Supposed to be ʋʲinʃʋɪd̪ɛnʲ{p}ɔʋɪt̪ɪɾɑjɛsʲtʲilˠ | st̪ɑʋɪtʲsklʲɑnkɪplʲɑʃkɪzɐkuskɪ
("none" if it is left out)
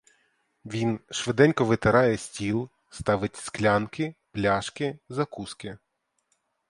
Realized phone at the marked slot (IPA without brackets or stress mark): k